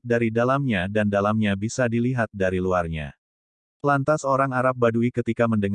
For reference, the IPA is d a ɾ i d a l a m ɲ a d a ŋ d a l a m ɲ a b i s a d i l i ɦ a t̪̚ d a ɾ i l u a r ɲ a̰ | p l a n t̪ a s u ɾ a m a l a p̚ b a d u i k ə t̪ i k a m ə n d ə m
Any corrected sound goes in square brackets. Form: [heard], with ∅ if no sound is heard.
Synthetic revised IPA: d a ɾ i d a l a m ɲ a d a [n] d a l a m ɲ a b i s a d i l i ɦ a t̪̚ d a ɾ i l u a r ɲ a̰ | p l a n t̪ a s [o] ɾ a [ŋ] a [ɾ] a p̚ b a d u i k ə t̪ i k a m ə n d ə [ŋ]